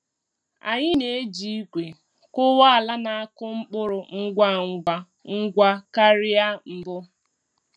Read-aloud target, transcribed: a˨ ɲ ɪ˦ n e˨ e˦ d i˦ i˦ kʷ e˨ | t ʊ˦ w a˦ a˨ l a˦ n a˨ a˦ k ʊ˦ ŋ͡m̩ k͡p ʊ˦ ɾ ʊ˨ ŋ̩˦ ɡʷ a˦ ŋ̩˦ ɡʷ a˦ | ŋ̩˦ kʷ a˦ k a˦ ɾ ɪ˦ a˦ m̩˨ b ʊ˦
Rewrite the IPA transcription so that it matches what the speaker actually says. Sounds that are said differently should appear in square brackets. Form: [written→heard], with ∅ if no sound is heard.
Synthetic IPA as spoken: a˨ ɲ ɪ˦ n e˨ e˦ [d→d͡ʒ] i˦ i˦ kʷ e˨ | [t→k] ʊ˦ w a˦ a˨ l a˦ n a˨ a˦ k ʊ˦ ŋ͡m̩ k͡p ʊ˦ ɾ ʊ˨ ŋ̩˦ ɡʷ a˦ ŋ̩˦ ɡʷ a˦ | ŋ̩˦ [kʷ→ɡʷ] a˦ k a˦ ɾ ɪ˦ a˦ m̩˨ b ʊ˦